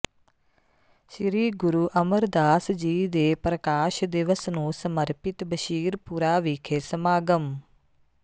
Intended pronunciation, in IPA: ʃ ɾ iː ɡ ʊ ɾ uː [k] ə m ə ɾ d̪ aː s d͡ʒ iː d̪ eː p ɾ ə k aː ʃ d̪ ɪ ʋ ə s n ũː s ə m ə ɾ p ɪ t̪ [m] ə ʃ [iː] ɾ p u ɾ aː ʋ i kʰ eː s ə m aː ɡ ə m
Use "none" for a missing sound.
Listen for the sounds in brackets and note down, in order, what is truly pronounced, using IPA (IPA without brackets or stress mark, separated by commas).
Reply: ʔ, b, iː